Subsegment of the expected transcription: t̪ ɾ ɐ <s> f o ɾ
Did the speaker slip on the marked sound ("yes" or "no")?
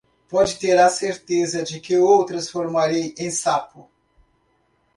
no